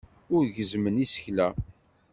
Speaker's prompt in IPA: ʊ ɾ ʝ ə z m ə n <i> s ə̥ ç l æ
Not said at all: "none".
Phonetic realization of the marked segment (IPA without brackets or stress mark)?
i